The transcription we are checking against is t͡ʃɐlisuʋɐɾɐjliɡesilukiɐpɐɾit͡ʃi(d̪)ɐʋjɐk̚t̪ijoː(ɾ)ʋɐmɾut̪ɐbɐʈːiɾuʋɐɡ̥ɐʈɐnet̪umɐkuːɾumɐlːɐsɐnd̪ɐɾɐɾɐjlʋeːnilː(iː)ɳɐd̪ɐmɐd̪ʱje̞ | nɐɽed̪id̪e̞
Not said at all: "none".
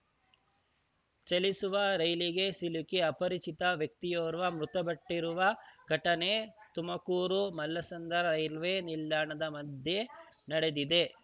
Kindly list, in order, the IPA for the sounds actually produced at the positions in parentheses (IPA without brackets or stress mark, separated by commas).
t̪, ɾ, aː